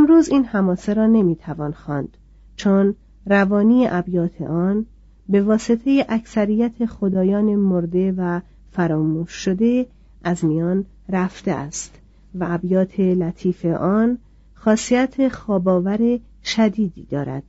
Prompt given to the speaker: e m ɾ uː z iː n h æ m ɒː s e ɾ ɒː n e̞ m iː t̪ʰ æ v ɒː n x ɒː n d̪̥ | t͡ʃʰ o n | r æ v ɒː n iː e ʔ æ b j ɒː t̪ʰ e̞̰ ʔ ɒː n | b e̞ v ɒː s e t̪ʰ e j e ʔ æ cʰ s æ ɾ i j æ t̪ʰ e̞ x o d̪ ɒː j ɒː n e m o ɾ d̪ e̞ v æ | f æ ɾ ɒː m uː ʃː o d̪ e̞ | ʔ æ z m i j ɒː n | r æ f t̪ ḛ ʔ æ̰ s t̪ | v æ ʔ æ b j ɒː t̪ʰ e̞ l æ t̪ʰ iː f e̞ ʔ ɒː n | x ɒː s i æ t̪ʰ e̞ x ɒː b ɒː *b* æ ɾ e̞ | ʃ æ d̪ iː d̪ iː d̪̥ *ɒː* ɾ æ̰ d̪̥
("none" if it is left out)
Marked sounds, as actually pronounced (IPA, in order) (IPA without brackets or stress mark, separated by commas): v, ɒː